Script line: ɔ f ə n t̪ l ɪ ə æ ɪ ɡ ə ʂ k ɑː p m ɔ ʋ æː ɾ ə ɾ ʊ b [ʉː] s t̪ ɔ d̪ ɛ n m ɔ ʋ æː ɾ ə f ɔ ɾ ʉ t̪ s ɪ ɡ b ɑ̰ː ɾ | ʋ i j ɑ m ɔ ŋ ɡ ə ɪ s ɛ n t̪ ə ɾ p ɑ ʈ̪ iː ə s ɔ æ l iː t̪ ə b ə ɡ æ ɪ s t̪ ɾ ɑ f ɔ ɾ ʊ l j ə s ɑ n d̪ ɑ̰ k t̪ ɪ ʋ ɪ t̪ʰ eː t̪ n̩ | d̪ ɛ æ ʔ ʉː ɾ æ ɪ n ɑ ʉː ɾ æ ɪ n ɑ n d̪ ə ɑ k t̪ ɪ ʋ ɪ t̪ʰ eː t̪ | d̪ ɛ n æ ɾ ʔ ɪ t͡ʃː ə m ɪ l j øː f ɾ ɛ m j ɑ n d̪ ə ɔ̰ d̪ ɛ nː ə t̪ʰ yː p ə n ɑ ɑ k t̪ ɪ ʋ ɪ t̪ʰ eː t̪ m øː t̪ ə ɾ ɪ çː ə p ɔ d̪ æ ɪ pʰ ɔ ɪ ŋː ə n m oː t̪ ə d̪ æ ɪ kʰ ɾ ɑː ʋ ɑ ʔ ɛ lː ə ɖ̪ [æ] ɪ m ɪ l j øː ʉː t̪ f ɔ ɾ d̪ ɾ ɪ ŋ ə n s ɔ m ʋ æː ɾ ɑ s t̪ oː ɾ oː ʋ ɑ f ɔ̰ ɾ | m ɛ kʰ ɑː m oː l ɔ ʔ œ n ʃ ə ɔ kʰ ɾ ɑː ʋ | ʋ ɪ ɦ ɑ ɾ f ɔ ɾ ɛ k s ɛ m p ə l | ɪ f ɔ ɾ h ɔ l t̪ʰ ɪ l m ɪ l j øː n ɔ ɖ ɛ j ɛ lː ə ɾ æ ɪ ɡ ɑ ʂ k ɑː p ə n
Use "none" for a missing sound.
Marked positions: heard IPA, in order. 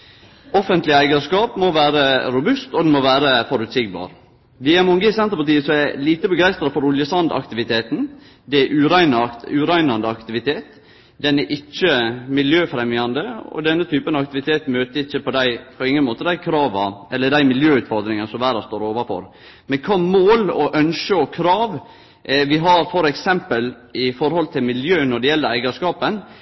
ʉ, æ

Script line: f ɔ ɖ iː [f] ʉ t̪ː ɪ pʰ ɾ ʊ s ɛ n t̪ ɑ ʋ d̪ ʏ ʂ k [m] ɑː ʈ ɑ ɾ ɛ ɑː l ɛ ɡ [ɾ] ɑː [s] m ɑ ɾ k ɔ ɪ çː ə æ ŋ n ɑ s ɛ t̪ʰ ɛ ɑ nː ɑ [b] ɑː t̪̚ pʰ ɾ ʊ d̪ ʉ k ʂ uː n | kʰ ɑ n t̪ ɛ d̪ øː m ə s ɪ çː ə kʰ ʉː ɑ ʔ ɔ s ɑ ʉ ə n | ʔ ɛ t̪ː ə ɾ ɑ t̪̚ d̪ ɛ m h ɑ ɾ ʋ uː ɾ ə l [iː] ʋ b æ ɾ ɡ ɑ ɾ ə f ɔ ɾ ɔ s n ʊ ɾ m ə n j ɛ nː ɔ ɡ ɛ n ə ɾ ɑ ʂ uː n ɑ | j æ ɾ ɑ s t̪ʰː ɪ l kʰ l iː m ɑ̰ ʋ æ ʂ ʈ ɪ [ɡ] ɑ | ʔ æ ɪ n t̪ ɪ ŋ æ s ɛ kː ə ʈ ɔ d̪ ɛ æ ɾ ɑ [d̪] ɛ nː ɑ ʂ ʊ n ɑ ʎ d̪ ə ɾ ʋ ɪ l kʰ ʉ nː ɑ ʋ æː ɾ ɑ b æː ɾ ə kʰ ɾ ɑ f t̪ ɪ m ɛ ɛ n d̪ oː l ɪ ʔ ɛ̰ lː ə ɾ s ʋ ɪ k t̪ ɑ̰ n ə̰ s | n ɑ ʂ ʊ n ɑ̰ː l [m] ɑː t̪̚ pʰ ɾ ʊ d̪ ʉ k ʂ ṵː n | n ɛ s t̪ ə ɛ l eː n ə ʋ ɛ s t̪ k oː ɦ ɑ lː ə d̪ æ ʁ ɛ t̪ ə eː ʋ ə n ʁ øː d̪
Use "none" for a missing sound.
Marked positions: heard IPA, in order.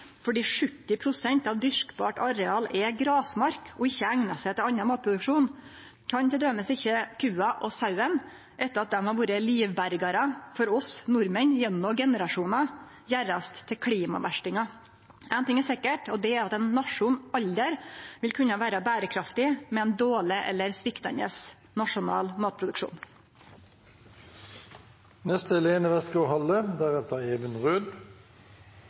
ʂ, b, ɾ, s, m, iː, ŋ, t̪, m

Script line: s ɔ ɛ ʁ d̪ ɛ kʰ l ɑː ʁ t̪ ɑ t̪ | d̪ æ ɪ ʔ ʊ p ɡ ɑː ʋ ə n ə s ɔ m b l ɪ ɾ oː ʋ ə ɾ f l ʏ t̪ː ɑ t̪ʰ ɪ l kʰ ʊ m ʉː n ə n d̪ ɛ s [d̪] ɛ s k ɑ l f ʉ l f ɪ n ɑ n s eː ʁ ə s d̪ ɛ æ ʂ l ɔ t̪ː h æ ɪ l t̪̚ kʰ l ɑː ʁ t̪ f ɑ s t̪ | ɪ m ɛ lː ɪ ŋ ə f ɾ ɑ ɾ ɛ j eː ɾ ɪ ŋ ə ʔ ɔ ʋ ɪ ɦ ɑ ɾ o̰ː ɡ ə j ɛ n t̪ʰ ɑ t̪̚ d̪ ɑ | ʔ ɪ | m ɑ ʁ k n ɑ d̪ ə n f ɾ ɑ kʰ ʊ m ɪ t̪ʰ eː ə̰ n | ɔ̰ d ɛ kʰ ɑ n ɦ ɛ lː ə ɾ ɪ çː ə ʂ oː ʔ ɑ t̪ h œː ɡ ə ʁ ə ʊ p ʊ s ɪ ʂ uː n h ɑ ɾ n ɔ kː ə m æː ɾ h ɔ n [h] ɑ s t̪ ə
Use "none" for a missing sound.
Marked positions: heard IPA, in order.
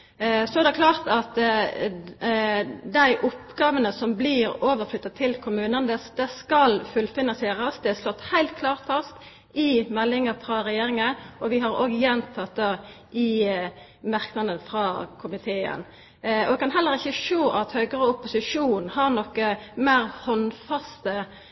d̪, f

